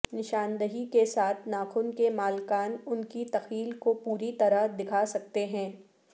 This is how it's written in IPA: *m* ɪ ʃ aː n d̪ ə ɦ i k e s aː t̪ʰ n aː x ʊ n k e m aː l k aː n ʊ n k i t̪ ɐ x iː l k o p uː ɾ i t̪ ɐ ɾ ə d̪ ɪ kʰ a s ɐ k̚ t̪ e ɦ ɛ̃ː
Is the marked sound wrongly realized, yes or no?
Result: yes